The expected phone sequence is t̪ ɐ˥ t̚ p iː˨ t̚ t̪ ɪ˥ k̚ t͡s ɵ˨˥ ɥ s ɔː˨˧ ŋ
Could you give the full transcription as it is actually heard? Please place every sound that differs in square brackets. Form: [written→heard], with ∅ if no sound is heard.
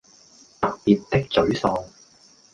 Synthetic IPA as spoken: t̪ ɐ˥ [t̚→k̚] p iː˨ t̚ t̪ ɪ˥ k̚ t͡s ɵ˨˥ ɥ s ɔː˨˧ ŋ